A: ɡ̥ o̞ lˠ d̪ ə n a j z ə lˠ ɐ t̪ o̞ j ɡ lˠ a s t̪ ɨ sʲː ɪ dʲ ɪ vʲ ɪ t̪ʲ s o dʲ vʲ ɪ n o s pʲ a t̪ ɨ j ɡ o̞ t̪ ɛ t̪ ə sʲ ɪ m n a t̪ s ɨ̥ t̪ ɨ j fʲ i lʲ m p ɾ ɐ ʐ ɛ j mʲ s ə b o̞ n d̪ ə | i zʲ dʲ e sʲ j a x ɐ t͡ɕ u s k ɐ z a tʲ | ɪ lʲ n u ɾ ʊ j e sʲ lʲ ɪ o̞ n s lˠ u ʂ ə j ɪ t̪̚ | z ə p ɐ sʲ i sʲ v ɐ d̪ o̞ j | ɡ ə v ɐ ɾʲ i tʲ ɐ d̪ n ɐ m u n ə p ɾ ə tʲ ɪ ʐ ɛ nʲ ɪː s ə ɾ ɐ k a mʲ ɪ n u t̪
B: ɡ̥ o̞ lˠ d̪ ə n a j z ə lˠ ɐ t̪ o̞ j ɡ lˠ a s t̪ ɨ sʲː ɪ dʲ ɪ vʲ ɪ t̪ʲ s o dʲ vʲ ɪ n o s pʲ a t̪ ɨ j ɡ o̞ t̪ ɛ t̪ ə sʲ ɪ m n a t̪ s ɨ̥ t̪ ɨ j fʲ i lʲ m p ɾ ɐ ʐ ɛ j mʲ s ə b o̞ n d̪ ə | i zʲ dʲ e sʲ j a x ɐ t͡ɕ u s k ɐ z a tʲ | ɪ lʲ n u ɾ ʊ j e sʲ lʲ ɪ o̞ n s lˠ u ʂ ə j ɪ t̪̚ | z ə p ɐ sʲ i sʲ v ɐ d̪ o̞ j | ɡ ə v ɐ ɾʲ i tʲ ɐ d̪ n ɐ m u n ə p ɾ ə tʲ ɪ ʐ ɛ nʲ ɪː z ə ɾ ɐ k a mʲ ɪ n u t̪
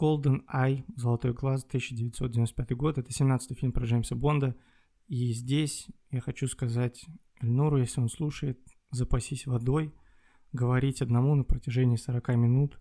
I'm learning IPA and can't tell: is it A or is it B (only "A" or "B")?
A